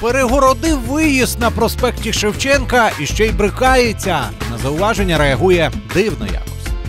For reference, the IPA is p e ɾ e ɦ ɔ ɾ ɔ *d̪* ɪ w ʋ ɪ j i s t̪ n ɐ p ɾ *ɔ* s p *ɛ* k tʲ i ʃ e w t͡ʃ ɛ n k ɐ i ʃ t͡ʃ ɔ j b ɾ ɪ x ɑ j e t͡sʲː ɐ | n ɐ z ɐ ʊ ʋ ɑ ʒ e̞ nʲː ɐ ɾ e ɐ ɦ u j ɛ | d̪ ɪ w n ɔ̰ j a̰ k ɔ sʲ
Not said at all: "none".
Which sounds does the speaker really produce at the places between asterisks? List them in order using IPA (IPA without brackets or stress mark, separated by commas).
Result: d̪, ɔ, ɛ